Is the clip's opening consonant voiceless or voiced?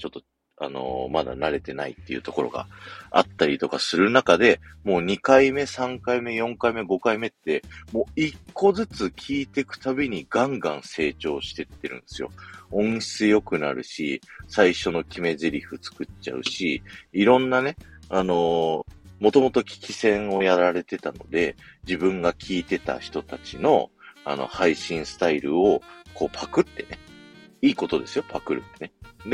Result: voiceless